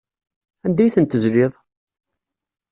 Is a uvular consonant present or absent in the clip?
absent